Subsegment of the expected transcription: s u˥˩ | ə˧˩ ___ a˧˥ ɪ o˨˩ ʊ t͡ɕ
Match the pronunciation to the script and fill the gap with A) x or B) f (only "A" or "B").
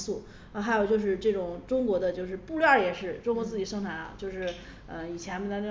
A